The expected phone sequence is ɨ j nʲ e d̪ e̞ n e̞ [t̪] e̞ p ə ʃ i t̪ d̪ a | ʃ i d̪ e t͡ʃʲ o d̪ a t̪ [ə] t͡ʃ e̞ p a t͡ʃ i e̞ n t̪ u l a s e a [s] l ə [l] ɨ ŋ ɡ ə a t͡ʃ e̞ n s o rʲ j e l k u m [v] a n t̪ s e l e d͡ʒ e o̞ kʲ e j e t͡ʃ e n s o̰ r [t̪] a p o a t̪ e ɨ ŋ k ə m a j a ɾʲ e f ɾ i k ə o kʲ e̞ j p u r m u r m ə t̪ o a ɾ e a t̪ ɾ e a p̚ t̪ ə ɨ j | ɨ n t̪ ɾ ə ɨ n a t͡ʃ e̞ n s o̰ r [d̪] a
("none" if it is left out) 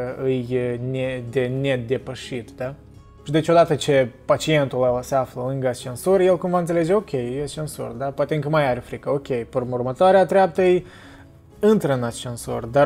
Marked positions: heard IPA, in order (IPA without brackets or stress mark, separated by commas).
d̪, ə, f, l, v, d̪, d̪